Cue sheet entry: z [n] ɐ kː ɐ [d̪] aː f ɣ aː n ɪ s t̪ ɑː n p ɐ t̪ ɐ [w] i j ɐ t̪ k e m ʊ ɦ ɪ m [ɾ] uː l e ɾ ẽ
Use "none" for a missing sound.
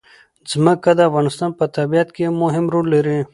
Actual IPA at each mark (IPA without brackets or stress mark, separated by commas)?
m, d̪, b, ɾ